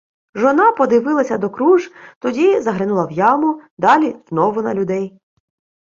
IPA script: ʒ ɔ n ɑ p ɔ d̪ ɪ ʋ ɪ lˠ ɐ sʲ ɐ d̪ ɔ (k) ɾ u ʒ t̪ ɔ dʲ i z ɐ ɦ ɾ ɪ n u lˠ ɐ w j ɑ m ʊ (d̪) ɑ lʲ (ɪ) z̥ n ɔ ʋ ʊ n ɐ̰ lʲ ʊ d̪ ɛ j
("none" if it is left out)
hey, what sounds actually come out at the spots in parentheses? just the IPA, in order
k, d̪, i

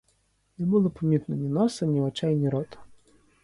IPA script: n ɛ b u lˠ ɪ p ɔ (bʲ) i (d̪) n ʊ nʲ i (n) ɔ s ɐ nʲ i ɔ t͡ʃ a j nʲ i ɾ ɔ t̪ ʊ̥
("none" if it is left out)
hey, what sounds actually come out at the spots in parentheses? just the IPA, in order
mʲ, t̪, n

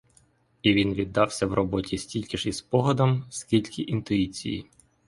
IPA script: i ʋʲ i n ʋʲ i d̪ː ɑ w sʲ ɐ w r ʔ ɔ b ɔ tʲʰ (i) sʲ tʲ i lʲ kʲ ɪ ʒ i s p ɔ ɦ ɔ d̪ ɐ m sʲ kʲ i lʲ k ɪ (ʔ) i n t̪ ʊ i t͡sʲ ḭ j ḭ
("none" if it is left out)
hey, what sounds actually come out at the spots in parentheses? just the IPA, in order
i, ʔ

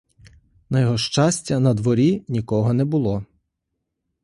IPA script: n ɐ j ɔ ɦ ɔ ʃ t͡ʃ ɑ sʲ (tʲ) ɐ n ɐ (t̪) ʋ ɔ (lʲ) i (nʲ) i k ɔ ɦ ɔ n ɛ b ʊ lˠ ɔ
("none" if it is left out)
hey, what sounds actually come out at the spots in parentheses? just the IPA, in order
tʲ, d̪, ɾʲ, nʲ

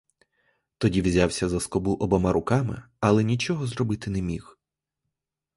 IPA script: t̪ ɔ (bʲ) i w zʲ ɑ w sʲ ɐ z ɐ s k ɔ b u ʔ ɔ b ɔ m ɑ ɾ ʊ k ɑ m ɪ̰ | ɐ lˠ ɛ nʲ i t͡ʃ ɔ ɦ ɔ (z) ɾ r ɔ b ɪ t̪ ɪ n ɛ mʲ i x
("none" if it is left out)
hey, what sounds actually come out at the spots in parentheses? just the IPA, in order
dʲ, z

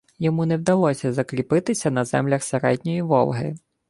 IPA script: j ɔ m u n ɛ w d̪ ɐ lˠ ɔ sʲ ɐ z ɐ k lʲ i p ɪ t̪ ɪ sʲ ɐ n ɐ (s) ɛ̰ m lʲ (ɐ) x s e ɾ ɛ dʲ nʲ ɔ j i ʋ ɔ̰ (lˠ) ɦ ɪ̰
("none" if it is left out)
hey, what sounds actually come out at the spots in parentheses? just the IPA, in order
z, ɐ, lˠ

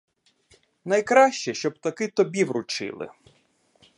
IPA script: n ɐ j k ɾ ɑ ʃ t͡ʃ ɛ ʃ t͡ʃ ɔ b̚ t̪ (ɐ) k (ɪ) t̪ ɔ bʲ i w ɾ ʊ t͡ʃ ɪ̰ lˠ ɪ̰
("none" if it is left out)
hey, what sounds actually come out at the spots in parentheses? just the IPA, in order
ɐ, ɪ

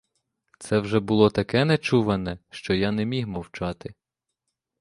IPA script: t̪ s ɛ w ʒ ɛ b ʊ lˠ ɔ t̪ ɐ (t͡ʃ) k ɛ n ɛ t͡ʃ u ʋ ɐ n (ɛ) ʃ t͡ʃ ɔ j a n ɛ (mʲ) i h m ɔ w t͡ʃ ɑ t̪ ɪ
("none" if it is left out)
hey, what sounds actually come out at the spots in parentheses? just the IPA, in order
none, ɛ, mʲ

